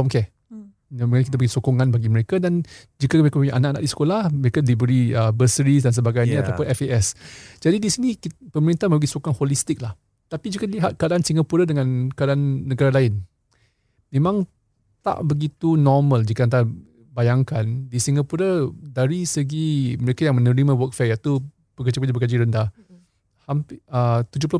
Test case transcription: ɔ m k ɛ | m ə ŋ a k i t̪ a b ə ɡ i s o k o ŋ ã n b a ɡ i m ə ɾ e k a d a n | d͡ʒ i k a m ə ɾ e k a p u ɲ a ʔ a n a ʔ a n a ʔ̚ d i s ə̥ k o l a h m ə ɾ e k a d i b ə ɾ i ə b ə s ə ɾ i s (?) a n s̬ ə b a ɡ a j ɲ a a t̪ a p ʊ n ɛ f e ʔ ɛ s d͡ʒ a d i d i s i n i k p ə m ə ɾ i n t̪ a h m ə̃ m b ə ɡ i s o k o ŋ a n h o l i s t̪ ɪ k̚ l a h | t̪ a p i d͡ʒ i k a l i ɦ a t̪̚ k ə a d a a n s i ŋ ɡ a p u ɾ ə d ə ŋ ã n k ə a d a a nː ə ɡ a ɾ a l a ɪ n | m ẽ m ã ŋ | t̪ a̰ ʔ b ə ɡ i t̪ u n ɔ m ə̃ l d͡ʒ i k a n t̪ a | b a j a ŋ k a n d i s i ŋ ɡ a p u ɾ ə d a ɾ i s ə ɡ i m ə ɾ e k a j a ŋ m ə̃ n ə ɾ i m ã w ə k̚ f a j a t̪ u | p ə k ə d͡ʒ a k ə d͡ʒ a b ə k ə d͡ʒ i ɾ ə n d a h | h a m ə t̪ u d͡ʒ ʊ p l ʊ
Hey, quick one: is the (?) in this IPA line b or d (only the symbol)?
d